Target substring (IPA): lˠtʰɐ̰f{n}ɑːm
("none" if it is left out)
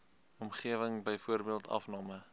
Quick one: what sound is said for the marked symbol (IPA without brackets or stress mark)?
n